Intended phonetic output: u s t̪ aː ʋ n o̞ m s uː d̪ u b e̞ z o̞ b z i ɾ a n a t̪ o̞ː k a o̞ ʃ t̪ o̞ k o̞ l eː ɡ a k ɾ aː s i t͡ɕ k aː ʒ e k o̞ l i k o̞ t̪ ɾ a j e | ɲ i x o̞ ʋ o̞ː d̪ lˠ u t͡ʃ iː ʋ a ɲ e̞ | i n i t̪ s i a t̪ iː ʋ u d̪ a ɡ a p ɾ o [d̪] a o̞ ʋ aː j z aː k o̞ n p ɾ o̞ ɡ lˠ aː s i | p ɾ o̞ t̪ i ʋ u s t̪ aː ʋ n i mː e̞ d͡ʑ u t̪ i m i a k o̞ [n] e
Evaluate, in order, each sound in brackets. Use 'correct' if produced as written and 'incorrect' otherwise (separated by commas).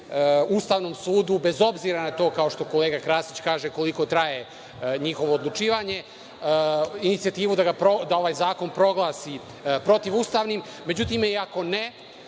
correct, correct